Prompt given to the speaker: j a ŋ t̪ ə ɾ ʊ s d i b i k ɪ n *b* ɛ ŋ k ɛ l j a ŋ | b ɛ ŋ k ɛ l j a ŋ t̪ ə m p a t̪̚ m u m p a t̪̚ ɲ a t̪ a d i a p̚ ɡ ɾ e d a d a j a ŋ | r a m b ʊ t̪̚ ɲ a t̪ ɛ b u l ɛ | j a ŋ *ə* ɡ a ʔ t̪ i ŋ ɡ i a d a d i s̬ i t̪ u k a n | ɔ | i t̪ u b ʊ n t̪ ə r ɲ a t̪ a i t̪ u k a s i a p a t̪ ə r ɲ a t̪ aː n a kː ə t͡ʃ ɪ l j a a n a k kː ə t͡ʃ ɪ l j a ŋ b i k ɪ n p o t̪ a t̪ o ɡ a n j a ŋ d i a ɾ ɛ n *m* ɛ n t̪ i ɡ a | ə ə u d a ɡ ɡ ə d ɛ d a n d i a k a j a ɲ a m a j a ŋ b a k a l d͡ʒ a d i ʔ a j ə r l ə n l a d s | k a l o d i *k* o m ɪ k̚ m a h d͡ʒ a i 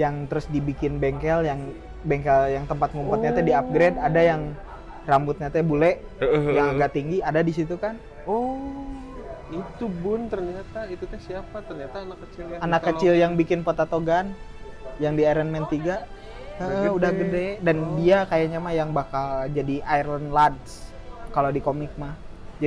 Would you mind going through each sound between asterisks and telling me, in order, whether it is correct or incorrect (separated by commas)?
correct, incorrect, correct, correct